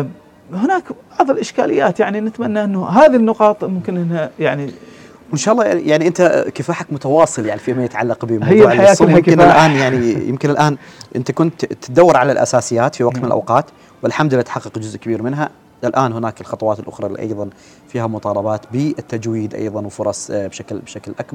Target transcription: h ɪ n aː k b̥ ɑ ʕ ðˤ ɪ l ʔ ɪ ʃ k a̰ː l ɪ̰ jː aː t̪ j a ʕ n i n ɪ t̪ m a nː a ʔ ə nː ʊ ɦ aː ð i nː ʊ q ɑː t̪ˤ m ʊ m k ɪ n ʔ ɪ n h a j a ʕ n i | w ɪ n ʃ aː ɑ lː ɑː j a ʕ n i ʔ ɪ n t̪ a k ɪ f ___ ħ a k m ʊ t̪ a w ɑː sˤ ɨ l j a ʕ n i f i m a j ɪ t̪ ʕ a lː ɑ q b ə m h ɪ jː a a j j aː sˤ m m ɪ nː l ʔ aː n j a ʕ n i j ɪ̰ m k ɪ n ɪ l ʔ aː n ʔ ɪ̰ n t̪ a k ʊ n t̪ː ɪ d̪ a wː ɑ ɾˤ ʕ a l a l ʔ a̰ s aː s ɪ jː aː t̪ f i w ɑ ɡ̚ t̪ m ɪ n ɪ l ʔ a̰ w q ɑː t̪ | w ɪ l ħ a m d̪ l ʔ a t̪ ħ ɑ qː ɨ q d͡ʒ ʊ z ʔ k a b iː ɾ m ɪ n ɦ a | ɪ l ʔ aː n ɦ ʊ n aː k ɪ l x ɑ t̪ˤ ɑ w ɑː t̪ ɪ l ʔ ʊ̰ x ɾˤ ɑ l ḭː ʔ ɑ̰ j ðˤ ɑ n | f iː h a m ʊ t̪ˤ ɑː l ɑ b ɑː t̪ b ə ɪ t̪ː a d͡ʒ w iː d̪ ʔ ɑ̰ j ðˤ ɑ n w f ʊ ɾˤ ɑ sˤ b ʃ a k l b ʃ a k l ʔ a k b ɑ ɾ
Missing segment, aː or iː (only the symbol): aː